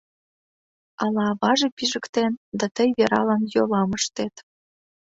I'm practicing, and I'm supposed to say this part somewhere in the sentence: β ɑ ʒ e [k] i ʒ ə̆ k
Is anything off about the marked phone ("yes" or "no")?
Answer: yes